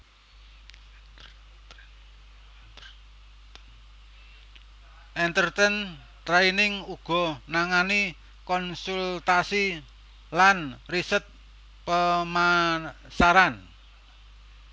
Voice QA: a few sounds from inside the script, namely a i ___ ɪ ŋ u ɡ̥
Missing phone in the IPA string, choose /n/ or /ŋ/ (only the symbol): n